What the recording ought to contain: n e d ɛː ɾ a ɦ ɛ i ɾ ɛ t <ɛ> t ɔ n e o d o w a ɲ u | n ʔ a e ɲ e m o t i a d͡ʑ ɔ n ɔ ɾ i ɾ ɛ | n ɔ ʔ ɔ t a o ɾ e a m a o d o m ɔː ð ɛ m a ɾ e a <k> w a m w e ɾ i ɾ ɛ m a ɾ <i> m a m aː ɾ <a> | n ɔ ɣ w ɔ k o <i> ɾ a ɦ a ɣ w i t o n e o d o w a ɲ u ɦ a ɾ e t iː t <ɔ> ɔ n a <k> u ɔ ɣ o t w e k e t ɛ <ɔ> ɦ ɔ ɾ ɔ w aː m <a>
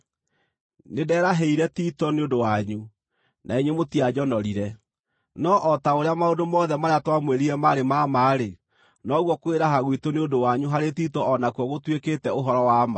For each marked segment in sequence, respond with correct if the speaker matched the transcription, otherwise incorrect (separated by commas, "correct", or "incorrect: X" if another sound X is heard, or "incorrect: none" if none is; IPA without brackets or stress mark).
incorrect: i, incorrect: t, incorrect: e, incorrect: e, incorrect: e, correct, correct, incorrect: o, correct